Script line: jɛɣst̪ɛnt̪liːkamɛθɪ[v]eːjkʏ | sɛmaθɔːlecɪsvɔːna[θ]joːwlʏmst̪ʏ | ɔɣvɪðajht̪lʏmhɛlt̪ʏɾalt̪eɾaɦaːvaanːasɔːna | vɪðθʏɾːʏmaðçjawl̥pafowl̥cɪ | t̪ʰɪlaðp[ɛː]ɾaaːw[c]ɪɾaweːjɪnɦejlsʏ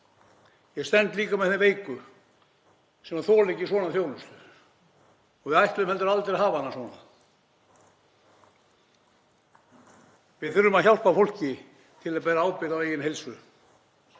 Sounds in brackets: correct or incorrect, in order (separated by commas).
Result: correct, correct, correct, incorrect